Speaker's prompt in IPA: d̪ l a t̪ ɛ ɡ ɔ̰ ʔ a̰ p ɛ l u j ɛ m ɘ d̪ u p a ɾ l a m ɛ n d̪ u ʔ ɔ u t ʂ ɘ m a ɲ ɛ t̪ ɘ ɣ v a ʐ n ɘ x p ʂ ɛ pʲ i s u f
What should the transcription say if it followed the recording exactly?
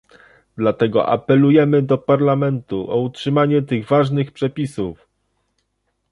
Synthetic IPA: d̪ l a t̪ ɛ ɡ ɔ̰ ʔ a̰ p ɛ l u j ɛ m ɘ d̪ ɔ p a ɾ l a m ɛ n t̪ u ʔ ɔ u t ʂ ɘ m a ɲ ɛ t̪ ɘ ɣ v a ʐ n ɘ x p ʂ ɛ pʲ i s u f

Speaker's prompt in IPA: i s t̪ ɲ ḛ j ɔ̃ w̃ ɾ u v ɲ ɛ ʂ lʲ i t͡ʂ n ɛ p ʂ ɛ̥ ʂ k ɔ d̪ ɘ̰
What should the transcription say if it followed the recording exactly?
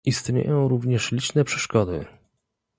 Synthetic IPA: i s t̪ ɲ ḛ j ɔ̃ w̃ ɾ u v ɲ ɛ ʂ lʲ i t͡ʂ n ɛ p ʂ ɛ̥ ʂ k ɔ d̪ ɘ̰

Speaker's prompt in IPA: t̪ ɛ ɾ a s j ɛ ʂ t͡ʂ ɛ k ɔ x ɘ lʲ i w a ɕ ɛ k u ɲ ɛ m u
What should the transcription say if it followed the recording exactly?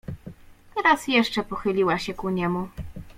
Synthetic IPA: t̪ ɛ ɾ a s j ɛ ʂ t͡ʂ ɛ p ɔ x ɘ lʲ i w a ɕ ɛ k u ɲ ɛ m u

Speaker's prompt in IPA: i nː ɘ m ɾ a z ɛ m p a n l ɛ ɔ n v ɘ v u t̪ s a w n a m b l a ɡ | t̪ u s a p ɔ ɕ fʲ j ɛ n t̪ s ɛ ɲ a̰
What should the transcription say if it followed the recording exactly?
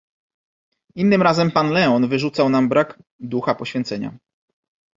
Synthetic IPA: i nː ɘ m ɾ a z ɛ m p a n l ɛ ɔ n v ɘ ʐ u t̪ s a w n a m b ɾ a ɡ | d̪ u x a p ɔ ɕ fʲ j ɛ n t̪ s ɛ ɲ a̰

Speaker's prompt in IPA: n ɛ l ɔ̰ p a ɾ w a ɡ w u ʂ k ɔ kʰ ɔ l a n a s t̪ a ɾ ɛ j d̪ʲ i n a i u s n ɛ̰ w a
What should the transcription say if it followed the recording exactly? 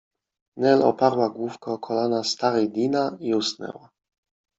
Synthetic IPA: n ɛ l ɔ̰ p a ɾ w a ɡ w u f k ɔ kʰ ɔ l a n a s t̪ a ɾ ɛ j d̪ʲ i n a i u s n ɛ̰ w a

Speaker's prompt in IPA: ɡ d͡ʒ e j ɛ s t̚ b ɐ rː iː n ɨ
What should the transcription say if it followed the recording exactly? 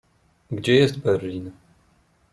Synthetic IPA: ɡ d͡ʒ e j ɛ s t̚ b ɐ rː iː n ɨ

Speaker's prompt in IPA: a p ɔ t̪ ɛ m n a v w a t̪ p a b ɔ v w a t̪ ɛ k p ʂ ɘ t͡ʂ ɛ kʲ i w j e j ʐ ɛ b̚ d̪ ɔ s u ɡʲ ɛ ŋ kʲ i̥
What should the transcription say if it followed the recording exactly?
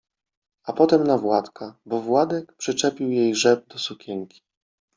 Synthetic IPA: a p ɔ t̪ ɛ m n a v w a t̪ k a b ɔ v w a d̪ ɛ k p ʂ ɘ t͡ʂ ɛ pʲ i w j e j ʐ ɛ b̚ d̪ ɔ s u kʲ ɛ ŋ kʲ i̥

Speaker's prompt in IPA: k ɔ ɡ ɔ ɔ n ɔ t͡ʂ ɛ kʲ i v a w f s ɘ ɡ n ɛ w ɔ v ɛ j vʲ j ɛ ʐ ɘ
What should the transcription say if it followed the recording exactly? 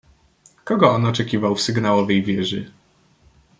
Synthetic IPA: k ɔ ɡ ɔ ɔ n ɔ t͡ʂ ɛ kʲ i v a w f s ɘ ɡ n a w ɔ v ɛ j vʲ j ɛ ʐ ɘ

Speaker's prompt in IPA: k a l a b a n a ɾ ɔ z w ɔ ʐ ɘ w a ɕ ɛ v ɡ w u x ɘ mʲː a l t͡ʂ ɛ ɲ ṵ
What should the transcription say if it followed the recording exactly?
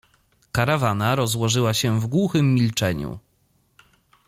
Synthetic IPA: k a ɾ a v a n a ɾ ɔ z w ɔ ʐ ɘ w a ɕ ɛ v ɡ w u x ɘ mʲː i l t͡ʂ ɛ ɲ ṵ

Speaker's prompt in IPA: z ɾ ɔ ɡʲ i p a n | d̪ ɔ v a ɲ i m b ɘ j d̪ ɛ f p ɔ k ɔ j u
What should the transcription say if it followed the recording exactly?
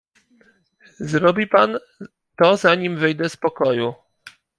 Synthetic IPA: z ɾ ɔ bʲ i p a n | t̪ ɔ z a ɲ i m v ɘ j d̪ ɛ s p ɔ k ɔ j u

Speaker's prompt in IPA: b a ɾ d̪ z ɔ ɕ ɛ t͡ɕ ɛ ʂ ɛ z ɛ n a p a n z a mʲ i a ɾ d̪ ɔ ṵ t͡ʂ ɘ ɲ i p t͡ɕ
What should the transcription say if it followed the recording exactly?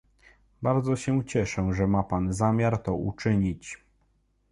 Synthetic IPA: b a ɾ d̪ z ɔ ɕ ɛ t͡ɕ ɛ ʂ ɛ ʐ ɛ m a p a n z a mʲ j a ɾ t̪ ɔ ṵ t͡ʂ ɘ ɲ i t͡ɕ

